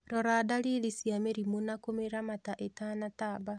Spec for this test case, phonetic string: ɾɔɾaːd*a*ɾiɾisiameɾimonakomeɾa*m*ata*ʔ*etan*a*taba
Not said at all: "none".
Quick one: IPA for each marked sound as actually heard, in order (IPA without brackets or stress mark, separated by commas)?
a, m, ʔ, a